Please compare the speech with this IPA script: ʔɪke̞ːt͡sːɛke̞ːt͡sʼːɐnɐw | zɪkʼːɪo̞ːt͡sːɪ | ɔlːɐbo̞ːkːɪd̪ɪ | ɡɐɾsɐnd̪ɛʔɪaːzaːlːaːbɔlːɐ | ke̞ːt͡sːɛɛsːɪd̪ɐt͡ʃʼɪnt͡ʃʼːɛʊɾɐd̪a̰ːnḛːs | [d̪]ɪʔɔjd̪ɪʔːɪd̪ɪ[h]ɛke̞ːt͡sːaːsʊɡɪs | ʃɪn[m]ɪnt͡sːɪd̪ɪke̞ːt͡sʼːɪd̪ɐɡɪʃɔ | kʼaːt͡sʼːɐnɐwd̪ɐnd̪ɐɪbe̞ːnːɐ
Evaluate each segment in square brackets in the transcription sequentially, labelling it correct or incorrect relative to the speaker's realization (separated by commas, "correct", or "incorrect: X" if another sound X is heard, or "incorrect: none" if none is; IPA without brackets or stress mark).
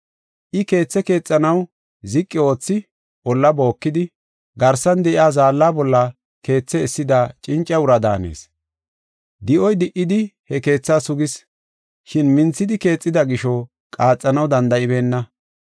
correct, correct, correct